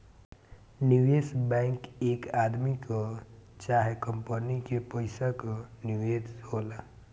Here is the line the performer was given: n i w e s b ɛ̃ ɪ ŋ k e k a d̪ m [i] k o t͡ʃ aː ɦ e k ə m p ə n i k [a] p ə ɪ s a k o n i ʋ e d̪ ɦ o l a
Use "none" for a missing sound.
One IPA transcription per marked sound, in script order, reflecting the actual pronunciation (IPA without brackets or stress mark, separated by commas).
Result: i, e